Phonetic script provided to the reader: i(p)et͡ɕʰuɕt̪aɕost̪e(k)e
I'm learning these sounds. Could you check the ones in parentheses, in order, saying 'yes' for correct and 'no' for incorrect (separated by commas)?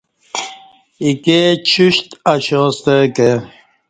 no, yes